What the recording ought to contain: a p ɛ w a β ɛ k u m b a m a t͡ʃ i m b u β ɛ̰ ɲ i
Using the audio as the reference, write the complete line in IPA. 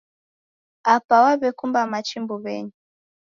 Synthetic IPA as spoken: a p a w a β ɛ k u m b a m a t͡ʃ i m b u β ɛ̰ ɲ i